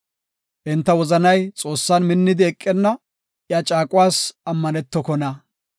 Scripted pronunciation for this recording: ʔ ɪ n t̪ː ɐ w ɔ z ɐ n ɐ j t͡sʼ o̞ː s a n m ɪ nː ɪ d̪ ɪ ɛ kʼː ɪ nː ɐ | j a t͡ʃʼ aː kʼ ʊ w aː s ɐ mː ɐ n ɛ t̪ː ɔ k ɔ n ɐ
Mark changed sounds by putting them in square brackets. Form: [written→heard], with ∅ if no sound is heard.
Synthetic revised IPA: ʔ ɪ n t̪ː ɐ w ɔ z ɐ n ɐ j t͡sʼ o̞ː [s→sː] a n m ɪ nː ɪ d̪ ɪ ɛ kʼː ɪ nː ɐ | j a t͡ʃʼ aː kʼ ʊ w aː s ɐ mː ɐ n ɛ t̪ː ɔ k ɔ n ɐ